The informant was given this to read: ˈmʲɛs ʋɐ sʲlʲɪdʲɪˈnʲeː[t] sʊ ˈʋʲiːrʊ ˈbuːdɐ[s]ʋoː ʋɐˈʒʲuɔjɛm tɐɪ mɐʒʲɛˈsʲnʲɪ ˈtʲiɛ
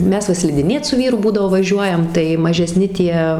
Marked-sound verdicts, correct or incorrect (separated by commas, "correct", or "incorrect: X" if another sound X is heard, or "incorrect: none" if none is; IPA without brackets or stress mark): correct, incorrect: none